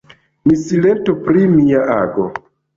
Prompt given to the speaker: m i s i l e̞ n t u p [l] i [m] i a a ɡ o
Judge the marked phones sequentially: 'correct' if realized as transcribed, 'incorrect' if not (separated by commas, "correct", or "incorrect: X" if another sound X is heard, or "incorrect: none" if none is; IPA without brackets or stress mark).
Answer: incorrect: ɾ, correct